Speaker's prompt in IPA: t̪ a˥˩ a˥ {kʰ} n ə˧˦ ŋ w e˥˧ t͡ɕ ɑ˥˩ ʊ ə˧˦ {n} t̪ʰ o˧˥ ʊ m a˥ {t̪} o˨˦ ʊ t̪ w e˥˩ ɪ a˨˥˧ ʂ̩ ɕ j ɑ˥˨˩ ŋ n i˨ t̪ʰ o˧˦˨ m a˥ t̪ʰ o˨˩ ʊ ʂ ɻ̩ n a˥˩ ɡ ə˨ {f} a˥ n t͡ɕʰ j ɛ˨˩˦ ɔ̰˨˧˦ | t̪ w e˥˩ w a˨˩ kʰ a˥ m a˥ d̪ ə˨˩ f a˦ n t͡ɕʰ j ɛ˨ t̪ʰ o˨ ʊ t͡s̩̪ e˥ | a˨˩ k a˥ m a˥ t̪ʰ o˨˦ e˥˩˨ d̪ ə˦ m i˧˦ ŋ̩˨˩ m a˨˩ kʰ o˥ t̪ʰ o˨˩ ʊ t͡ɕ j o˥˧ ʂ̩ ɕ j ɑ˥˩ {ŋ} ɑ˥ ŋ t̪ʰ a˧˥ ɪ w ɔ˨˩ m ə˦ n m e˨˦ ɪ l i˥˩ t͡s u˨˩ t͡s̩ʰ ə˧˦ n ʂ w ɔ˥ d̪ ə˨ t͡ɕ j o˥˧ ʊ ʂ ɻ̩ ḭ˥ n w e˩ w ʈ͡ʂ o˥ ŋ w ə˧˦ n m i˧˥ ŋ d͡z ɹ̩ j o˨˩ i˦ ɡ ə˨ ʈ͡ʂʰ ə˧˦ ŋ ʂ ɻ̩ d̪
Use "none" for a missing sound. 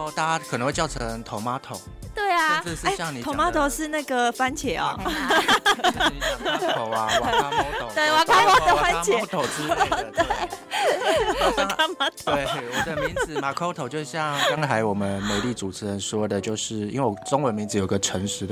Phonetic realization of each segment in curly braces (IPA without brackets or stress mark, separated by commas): kʰ, ŋ, t̪ʰ, f, ŋ